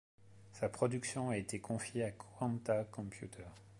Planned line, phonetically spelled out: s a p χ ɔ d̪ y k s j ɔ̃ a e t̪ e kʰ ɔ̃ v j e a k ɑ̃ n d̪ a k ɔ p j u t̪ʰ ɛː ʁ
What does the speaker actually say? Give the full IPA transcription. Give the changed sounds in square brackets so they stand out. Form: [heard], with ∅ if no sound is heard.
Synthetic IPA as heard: s a p χ ɔ d̪ y k s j ɔ̃ a e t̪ e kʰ ɔ̃ [f] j e a k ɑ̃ n [t̪] a k [ɔ̃] p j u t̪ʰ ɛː ʁ